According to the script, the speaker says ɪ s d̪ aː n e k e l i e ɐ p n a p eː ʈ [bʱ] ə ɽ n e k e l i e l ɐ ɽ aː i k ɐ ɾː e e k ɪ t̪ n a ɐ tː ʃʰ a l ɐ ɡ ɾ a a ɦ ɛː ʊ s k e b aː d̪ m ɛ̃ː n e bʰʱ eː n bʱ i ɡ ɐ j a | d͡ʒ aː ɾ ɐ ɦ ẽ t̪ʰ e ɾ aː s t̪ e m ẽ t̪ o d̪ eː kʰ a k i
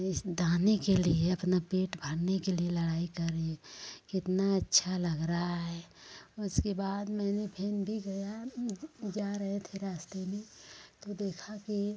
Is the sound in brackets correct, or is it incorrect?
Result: correct